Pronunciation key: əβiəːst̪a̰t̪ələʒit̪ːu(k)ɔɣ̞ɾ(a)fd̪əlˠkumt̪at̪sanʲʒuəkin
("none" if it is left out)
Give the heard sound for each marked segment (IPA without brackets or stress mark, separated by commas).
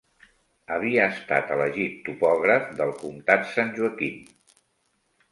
p, ə